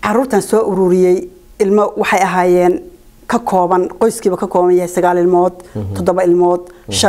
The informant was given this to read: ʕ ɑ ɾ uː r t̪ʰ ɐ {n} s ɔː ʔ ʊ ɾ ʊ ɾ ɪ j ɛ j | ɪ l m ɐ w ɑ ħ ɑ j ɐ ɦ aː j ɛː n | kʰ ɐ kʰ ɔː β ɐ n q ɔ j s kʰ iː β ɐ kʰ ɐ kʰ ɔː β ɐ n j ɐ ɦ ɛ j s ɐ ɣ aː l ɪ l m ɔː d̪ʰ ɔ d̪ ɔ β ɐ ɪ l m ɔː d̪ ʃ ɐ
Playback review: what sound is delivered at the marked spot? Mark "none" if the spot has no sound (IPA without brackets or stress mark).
n